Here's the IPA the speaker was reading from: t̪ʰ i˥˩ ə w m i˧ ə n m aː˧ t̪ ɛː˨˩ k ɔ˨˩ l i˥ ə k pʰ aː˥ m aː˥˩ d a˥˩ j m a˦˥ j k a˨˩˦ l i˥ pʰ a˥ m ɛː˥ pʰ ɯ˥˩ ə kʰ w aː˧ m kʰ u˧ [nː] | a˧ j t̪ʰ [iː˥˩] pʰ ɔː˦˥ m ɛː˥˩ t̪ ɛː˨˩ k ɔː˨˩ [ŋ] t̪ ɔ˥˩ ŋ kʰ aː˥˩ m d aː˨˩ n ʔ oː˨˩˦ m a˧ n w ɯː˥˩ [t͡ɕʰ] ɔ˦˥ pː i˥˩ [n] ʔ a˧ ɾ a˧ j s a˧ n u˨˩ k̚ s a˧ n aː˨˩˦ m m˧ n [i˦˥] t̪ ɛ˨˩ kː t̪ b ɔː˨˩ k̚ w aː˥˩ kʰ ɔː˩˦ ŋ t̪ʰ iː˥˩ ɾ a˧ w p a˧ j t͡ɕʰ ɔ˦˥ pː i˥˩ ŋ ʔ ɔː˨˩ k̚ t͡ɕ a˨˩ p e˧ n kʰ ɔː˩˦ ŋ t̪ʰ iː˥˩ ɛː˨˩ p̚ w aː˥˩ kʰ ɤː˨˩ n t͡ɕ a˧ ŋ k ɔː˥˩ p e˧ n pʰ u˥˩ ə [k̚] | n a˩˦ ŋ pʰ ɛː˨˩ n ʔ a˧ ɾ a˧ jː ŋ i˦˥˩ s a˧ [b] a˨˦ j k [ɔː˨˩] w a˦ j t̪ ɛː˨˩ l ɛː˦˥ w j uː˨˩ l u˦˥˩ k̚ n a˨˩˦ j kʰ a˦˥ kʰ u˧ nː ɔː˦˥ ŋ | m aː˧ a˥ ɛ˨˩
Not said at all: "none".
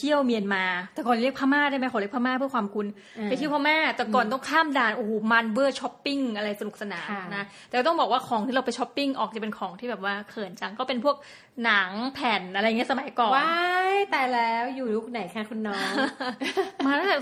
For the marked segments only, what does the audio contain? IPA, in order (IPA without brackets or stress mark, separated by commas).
n, i˥˩, n, t͡ɕʰ, ŋ, a˦˥, k̚, m, ɔː˨˩